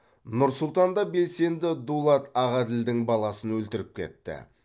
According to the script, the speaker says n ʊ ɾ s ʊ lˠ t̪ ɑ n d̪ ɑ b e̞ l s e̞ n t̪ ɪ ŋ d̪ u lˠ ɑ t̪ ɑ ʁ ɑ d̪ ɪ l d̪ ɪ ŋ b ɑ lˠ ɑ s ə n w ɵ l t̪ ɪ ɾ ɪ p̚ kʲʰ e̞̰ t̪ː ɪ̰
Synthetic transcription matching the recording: n ʊ ɾ s ʊ lˠ t̪ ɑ n d̪ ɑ b e̞ l s e̞ n d̪ ɪ d̪ u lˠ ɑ t̪ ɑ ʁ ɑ d̪ ɪ l d̪ ɪ ŋ b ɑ lˠ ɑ s ə n w ɵ l t̪ ɪ ɾ ɪ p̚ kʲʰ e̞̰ t̪ː ɪ̰